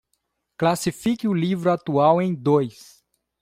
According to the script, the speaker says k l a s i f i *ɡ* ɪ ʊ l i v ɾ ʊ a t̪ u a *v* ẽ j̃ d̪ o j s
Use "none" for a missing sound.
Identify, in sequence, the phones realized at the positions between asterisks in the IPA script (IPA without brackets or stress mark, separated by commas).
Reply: k, w